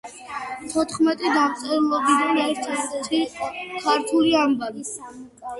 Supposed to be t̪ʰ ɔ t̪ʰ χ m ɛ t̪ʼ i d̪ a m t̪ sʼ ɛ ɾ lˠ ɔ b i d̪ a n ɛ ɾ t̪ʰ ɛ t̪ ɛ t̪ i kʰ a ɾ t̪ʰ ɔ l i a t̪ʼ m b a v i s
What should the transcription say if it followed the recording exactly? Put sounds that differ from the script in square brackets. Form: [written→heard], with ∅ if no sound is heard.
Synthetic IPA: t̪ʰ ɔ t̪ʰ χ m ɛ t̪ʼ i d̪ a m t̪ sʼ ɛ ɾ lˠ ɔ b i d̪ a n ɛ ɾ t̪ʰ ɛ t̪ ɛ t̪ i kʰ a ɾ t̪ʰ [ɔ→u] l i a [t̪ʼ→∅] m b a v i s